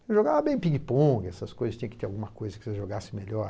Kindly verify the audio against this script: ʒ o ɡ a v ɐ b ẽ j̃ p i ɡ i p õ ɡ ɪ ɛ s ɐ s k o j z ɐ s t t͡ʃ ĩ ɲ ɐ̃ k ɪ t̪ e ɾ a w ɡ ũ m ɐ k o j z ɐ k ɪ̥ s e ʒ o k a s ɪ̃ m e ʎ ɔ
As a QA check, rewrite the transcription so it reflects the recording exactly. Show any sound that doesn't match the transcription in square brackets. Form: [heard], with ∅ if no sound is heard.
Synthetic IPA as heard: ʒ o ɡ a v ɐ b ẽ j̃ p i ɡ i p õ ɡ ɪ ɛ s ɐ s k o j z ɐ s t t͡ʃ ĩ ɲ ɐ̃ k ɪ t̪ e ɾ a w ɡ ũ m ɐ k o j z ɐ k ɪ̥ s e ʒ o [ɡ] a s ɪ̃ m e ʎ ɔ